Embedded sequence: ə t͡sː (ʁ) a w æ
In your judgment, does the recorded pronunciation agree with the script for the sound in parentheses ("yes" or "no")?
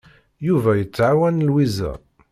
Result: no